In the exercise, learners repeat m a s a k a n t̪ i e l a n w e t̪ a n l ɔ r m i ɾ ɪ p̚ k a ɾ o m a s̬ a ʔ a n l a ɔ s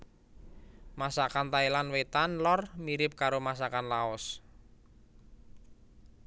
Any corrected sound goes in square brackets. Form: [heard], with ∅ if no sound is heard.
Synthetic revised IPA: m a s a k a n t̪ [a] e l a n w e t̪ a n l ɔ r m i ɾ ɪ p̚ k a ɾ o m a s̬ a [k] a n l a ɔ s